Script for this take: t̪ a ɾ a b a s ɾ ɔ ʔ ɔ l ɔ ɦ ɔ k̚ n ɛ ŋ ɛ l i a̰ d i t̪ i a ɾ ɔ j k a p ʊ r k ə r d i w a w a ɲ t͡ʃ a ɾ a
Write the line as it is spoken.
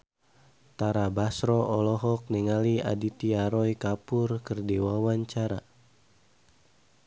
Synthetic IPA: t̪ a ɾ a b a s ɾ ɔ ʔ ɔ l ɔ ɦ ɔ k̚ n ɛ ŋ a l i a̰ d i t̪ i a ɾ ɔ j k a p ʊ r k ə r d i w a w a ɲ t͡ʃ a ɾ a